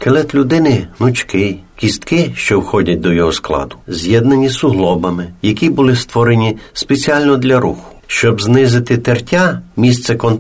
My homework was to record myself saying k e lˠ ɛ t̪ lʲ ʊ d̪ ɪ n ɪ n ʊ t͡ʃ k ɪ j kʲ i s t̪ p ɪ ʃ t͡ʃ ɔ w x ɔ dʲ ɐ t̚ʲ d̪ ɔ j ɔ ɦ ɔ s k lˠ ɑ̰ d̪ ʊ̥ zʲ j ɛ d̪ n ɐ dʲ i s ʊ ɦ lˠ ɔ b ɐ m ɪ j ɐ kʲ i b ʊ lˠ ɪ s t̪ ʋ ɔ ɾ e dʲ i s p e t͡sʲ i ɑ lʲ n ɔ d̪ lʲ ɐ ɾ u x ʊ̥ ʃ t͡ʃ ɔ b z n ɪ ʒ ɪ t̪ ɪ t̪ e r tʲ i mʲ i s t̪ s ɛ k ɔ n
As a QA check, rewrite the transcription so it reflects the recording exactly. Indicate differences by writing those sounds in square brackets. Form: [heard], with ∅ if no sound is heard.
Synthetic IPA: k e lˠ ɛ t̪ lʲ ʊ d̪ ɪ n ɪ n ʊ t͡ʃ k ɪ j kʲ i s t̪ [k] ɪ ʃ t͡ʃ ɔ w x ɔ dʲ ɐ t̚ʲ d̪ ɔ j ɔ ɦ ɔ s k lˠ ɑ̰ d̪ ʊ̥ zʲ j ɛ d̪ n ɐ [nʲ] i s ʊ ɦ lˠ ɔ b ɐ m ɪ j ɐ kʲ i b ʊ lˠ ɪ s t̪ ʋ ɔ ɾ e [nʲ] i s p e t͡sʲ i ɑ lʲ n ɔ d̪ lʲ ɐ ɾ u x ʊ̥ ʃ t͡ʃ ɔ b z n ɪ [z] ɪ t̪ ɪ t̪ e r tʲ [a] mʲ i s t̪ s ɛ k ɔ n